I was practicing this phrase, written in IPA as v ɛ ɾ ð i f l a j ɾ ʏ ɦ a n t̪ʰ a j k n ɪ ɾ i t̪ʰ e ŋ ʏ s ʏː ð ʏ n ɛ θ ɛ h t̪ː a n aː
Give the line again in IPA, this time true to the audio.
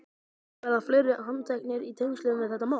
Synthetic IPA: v ɛ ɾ ð a f l e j ɾ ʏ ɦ a n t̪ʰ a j k n ɪ ɾ i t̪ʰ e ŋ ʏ s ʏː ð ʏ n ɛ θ ɛ h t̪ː a m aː